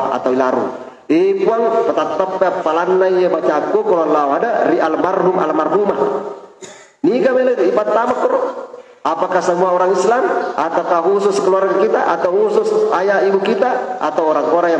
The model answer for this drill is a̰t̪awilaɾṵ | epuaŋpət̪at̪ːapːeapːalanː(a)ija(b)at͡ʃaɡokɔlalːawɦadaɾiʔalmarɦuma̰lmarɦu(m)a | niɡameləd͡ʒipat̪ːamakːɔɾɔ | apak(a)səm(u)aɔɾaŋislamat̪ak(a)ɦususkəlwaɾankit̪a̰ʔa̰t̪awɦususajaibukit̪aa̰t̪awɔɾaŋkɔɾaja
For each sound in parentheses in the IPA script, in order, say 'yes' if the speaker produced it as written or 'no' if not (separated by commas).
yes, yes, yes, yes, yes, yes